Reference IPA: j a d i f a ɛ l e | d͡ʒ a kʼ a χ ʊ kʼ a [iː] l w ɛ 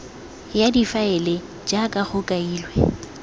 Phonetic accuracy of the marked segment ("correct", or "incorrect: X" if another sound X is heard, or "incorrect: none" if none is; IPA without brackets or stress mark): correct